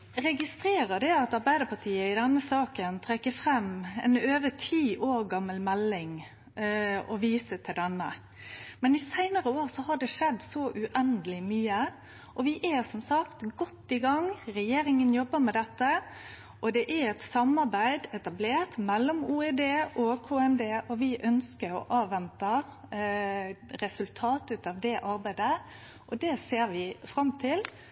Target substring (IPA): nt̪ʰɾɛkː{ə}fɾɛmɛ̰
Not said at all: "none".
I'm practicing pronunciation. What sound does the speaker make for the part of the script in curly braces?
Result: ə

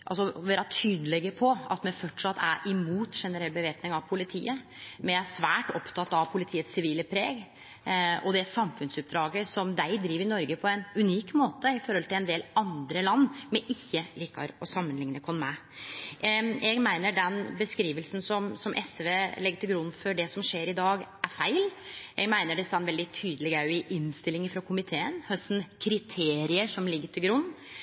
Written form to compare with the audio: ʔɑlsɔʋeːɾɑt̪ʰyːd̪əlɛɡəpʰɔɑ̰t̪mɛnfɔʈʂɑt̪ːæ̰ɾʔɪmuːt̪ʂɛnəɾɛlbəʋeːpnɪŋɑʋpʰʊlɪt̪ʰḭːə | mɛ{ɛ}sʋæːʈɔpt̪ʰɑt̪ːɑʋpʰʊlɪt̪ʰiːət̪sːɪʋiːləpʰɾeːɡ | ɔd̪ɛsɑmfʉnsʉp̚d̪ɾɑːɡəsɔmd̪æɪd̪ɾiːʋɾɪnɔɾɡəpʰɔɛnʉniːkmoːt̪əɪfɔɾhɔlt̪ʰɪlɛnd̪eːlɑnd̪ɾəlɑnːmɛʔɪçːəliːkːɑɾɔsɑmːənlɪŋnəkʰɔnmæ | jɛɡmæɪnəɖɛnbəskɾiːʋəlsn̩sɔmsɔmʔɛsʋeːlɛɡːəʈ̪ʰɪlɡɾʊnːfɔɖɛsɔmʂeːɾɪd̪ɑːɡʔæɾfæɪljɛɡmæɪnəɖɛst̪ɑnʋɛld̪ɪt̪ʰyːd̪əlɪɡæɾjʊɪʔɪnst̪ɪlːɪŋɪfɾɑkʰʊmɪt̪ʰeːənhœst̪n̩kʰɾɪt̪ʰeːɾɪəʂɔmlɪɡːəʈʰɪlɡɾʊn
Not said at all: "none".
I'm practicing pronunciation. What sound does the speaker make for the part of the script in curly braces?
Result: æ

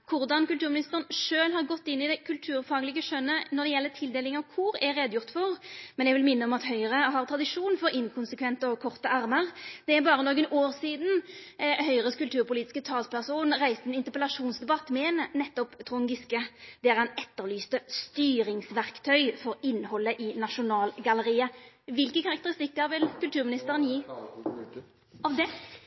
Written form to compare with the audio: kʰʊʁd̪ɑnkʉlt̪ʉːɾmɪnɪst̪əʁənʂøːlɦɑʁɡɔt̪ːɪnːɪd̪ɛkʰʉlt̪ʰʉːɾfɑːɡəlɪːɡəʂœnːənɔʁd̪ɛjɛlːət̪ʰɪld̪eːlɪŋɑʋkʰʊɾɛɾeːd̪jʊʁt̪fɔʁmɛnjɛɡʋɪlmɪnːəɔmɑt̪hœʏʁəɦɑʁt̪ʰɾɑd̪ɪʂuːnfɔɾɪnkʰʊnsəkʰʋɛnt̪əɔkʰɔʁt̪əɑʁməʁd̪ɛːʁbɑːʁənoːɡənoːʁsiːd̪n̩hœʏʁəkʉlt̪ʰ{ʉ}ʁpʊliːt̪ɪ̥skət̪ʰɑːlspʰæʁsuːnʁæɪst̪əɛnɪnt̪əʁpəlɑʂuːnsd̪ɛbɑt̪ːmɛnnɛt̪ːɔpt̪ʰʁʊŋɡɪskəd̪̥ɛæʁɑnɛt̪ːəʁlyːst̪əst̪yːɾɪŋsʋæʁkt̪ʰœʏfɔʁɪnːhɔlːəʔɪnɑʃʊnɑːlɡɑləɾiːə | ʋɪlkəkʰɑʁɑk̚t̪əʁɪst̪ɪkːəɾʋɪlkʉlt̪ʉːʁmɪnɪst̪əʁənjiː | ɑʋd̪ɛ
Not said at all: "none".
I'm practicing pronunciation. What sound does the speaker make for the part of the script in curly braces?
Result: ʉː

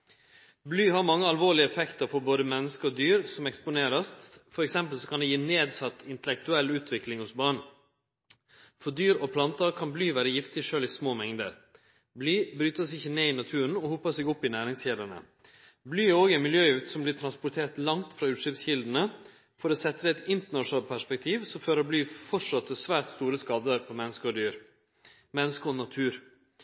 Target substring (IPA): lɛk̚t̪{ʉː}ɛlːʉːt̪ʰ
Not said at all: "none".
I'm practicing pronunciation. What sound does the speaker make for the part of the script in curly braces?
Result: ʉ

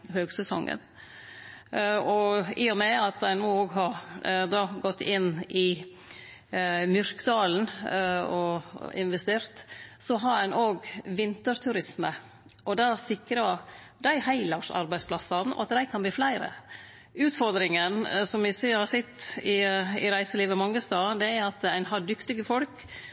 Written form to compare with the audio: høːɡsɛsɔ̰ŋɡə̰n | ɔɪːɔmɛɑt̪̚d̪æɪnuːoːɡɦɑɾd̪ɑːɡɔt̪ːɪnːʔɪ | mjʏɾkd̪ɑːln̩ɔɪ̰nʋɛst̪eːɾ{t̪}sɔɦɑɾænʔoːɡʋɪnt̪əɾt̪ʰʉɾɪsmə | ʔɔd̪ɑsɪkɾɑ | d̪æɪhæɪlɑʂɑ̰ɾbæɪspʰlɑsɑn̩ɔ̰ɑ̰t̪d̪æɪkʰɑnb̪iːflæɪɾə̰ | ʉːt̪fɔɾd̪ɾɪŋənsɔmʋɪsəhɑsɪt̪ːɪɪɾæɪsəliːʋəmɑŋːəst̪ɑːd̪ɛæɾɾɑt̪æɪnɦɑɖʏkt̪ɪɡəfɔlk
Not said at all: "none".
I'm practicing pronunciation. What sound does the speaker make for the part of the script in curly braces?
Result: t̪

